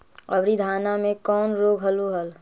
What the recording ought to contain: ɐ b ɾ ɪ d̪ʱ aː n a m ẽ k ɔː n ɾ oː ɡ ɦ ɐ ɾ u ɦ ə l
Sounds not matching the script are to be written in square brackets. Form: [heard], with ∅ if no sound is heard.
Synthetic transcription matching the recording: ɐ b ɾ [i] d̪ʱ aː n a m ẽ k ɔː n ɾ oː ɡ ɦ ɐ [l] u ɦ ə l